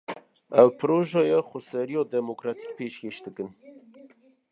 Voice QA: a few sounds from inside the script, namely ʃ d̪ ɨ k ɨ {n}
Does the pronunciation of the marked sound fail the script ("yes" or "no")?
no